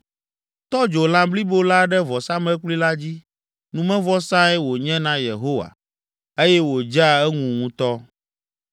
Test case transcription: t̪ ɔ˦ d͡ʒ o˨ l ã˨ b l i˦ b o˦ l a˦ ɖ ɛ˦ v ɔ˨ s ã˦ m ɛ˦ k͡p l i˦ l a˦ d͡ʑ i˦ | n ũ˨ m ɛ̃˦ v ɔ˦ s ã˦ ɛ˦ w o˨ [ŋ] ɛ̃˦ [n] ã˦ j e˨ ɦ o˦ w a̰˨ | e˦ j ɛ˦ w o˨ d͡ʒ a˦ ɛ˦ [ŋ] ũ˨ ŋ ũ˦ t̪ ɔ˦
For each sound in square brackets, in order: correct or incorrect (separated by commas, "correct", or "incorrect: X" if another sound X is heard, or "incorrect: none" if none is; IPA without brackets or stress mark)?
incorrect: ɲ, correct, correct